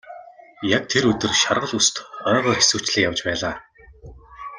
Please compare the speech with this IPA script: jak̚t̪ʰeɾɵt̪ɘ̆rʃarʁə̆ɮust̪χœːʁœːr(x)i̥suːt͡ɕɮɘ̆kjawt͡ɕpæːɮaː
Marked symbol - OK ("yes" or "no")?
yes